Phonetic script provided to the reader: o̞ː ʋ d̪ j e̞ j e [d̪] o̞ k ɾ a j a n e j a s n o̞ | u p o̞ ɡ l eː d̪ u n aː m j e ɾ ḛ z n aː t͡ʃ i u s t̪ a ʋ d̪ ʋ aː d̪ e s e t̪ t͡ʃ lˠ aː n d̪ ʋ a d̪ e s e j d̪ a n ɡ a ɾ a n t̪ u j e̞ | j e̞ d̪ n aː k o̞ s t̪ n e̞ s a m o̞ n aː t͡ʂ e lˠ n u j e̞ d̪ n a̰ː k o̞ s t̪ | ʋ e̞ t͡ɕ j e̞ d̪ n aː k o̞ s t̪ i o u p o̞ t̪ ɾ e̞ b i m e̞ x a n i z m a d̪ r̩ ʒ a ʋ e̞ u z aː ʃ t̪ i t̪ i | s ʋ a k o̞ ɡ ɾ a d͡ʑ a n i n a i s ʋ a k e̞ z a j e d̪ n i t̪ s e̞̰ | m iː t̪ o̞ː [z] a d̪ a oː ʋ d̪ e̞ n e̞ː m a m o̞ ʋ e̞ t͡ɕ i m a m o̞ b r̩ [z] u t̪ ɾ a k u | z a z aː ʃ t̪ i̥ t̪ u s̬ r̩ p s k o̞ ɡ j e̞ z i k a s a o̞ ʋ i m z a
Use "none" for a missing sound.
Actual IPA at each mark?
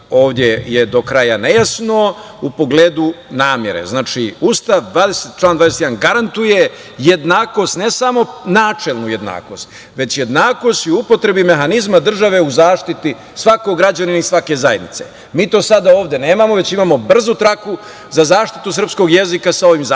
d̪, s, z

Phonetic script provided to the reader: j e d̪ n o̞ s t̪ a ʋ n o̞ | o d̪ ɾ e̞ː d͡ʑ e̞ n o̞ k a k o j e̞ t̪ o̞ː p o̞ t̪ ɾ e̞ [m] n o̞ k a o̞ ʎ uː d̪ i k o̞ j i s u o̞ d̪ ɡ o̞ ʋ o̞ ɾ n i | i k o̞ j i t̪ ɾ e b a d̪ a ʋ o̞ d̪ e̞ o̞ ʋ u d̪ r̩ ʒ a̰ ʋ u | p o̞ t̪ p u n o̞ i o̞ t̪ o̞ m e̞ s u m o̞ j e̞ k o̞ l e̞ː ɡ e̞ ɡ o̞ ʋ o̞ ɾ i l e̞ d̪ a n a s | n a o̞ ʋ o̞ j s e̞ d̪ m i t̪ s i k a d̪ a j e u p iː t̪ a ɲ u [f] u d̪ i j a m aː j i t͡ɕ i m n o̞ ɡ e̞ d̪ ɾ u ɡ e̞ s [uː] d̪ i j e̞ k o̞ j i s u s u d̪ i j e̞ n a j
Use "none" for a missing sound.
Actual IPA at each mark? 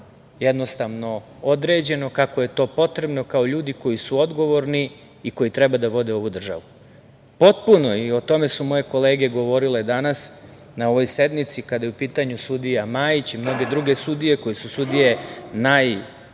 b, s, u

